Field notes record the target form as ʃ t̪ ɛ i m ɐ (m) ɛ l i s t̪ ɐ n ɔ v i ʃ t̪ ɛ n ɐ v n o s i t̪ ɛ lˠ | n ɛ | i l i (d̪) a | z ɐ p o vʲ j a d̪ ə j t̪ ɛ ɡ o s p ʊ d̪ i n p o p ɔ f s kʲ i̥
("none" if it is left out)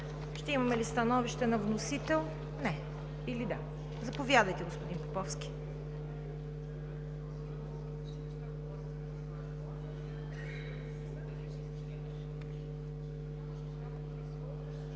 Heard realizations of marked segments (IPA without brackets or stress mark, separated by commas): m, d̪